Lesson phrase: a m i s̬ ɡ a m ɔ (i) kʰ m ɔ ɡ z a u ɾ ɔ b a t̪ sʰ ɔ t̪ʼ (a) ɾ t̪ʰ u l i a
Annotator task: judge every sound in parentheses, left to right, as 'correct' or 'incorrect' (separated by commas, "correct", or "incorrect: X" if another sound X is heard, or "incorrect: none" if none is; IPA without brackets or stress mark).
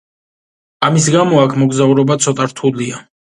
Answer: incorrect: a, correct